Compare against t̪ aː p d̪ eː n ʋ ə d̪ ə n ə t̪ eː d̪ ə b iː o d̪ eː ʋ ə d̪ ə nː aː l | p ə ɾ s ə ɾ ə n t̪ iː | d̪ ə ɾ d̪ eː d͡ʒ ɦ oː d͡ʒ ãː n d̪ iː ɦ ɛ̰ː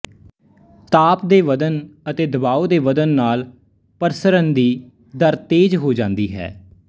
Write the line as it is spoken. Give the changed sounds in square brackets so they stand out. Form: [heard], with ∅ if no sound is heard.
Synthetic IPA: t̪ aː p d̪ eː [∅] ʋ ə d̪ ə n ə t̪ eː d̪ ə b [aː] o d̪ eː ʋ ə d̪ ə nː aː l | p ə ɾ s ə ɾ ə n [d̪] iː | d̪ ə ɾ [t̪] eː d͡ʒ ɦ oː d͡ʒ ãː n d̪ iː ɦ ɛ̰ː